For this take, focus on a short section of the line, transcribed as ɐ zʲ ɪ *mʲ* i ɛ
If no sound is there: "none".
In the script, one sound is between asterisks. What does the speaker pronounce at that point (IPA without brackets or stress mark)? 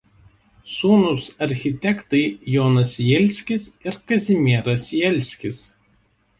mʲ